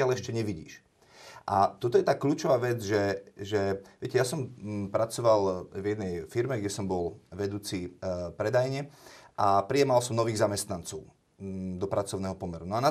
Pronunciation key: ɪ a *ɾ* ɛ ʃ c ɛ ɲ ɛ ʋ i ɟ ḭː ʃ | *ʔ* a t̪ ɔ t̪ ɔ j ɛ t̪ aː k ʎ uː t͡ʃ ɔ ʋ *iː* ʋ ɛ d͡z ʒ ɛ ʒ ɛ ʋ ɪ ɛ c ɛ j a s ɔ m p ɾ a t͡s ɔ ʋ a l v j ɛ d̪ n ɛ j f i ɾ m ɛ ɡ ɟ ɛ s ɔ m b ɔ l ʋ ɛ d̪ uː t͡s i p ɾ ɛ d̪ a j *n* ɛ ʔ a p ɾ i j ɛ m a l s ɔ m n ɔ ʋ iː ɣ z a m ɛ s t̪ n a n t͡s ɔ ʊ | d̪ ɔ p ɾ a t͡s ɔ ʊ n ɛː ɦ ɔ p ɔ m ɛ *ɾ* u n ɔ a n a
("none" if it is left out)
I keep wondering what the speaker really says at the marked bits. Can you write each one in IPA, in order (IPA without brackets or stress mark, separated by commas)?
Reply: l, ʔ, aː, ɲ, ɾ